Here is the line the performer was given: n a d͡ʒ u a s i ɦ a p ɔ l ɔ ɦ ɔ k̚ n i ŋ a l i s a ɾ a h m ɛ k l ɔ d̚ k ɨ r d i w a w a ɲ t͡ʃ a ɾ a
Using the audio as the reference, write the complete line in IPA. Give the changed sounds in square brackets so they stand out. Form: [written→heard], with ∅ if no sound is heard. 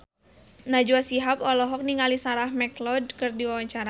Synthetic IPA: n a d͡ʒ u a s i ɦ a p ɔ l ɔ ɦ ɔ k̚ n i ŋ a l i s a ɾ a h m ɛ k l ɔ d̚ k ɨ r d i w a w a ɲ t͡ʃ a ɾ a

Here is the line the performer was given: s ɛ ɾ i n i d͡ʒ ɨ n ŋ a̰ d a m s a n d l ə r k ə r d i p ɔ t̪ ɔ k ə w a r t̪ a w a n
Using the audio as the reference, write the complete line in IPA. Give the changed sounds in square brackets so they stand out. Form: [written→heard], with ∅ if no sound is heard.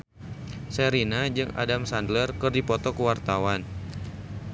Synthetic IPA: s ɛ ɾ i n [i→a] d͡ʒ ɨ [n→∅] ŋ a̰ d a m s a n d l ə r k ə r d i p ɔ t̪ ɔ k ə w a r t̪ a w a n

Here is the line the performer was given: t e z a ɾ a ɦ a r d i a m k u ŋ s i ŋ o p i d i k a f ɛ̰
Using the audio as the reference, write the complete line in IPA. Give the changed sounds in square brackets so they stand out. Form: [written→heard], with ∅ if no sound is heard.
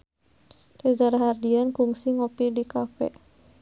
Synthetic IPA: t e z a ɾ a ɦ a r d i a [m→n] k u ŋ s i ŋ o p i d i k a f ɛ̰

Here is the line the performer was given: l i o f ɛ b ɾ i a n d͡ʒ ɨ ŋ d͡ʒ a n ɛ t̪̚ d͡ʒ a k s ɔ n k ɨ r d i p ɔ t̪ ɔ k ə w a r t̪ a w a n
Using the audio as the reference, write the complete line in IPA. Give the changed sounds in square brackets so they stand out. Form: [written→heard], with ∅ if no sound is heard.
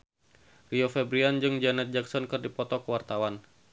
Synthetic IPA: [l→r] i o f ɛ b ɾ i a n d͡ʒ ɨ ŋ d͡ʒ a n ɛ t̪̚ d͡ʒ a k s ɔ n k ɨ r d i p ɔ t̪ ɔ k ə w a r t̪ a w a n

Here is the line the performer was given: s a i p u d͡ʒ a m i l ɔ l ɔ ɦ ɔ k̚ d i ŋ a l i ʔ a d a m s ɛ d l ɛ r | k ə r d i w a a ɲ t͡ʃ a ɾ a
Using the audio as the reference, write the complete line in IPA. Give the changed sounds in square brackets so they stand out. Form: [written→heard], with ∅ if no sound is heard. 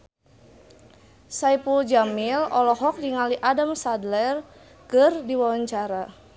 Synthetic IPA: s a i p u d͡ʒ a m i l ɔ l ɔ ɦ ɔ k̚ d i ŋ a l i ʔ a d a m s [ɛ→a] d l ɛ r | k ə r d i w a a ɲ t͡ʃ a ɾ a

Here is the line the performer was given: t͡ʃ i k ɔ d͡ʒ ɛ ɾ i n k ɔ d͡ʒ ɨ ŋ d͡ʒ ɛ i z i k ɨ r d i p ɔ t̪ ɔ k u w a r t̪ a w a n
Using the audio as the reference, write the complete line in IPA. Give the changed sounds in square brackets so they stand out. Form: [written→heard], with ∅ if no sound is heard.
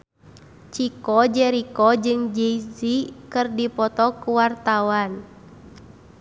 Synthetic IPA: t͡ʃ i k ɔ d͡ʒ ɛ ɾ i [n→∅] k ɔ d͡ʒ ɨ ŋ d͡ʒ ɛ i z i k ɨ r d i p ɔ t̪ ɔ k u w a r t̪ a w a n

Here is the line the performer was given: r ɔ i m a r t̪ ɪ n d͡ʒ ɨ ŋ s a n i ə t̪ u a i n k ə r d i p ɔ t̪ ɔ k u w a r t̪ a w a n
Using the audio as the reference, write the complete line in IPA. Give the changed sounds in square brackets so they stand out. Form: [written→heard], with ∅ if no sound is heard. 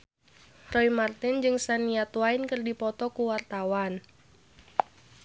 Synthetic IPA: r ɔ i m a r t̪ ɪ n d͡ʒ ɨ ŋ s a n i [ə→a] t̪ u a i n k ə r d i p ɔ t̪ ɔ k u w a r t̪ a w a n

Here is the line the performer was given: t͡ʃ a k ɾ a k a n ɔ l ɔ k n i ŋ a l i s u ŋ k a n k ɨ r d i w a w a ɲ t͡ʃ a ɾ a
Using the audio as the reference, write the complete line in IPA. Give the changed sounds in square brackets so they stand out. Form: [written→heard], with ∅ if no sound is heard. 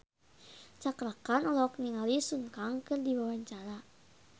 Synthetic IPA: t͡ʃ a k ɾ a k a n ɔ l ɔ k n i ŋ a l i s u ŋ k a [n→ŋ] k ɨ r d i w a w a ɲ t͡ʃ a ɾ a

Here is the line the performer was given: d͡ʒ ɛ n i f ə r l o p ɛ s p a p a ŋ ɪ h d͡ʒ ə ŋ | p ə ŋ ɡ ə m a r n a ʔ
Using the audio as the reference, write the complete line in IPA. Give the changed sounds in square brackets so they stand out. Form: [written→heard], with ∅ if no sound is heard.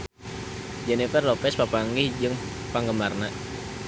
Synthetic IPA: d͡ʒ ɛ n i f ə r l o p ɛ s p a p a ŋ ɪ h d͡ʒ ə ŋ | p [ə→a] ŋ ɡ ə m a r n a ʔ

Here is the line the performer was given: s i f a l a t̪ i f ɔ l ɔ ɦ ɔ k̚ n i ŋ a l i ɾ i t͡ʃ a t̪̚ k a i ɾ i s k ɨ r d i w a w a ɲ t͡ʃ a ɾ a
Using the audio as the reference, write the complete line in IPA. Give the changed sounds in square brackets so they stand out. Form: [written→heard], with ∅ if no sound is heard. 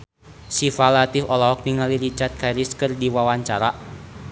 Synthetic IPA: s i f a l a t̪ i f ɔ l ɔ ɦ ɔ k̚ n i ŋ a l i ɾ i t͡ʃ a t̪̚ k a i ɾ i s k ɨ r d i w a w a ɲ t͡ʃ a ɾ a

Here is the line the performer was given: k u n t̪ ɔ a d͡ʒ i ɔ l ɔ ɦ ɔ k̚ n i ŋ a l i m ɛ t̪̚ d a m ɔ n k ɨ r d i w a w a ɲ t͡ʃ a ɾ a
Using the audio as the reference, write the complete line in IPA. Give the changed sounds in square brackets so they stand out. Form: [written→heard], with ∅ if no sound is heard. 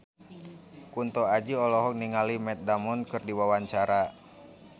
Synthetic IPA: k u n t̪ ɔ a d͡ʒ i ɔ l ɔ ɦ ɔ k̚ n i ŋ a l i m ɛ t̪̚ d a m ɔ n k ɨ r d i w a w a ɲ t͡ʃ a ɾ a

